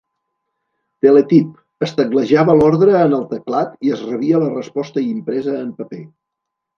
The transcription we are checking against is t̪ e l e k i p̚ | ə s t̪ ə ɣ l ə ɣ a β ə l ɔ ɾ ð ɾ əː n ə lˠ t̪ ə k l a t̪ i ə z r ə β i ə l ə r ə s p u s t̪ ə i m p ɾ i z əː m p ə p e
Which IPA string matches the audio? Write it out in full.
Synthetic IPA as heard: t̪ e l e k i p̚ | ə s t̪ ə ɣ l ə ʒ a β ə l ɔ ɾ ð ɾ əː n ə lˠ t̪ ə k l a t̪ i ə z r ə β i ə l ə r ə s p ɔ s t̪ ə i m p ɾ ɛ z əː m p ə p e